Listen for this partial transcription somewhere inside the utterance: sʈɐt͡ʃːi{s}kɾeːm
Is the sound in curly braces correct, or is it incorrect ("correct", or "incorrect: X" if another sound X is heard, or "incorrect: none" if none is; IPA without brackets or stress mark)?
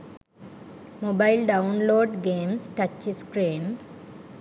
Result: correct